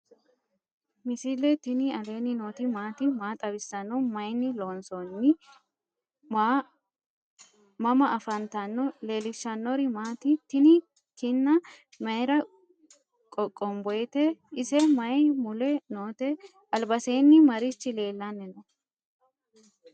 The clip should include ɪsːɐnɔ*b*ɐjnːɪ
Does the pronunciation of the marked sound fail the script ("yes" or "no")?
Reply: yes